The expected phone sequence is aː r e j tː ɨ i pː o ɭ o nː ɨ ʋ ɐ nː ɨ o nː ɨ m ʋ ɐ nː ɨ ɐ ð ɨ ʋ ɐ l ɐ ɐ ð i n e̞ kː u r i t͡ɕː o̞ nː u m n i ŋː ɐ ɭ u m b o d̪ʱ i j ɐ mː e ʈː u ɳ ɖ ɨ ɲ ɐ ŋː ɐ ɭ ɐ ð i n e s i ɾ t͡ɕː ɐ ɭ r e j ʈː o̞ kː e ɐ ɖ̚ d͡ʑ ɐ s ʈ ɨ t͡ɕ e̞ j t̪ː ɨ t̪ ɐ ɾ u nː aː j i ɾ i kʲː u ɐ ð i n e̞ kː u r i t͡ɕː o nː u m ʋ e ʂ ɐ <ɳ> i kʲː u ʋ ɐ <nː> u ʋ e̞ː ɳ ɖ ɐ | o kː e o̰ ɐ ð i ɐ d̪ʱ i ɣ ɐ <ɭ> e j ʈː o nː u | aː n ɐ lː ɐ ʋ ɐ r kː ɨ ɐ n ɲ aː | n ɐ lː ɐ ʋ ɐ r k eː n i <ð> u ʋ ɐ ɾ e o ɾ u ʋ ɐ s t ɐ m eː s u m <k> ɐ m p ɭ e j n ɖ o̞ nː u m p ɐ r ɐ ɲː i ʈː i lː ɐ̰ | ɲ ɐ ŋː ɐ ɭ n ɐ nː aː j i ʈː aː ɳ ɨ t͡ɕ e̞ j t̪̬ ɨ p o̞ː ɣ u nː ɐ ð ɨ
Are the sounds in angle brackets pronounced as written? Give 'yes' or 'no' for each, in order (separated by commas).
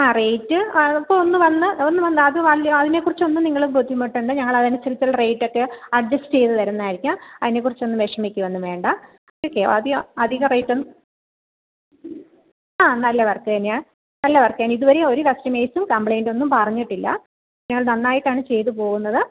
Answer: no, yes, no, yes, yes